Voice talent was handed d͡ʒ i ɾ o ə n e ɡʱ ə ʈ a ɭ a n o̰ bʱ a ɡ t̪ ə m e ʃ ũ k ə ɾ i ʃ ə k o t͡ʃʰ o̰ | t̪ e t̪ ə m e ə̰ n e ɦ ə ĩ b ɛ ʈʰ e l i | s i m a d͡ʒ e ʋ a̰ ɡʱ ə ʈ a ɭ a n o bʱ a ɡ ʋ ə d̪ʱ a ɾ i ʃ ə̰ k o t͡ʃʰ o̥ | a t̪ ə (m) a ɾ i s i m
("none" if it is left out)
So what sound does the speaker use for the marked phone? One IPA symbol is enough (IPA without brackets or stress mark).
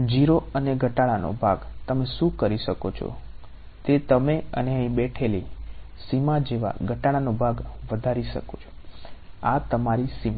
m